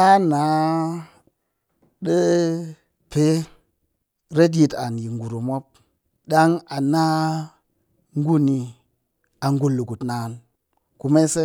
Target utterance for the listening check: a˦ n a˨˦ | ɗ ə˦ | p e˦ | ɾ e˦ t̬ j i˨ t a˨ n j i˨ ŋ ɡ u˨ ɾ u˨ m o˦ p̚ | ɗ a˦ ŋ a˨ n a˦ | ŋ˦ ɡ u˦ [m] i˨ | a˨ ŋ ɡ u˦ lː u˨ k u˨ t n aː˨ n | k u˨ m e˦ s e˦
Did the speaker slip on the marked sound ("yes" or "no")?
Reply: yes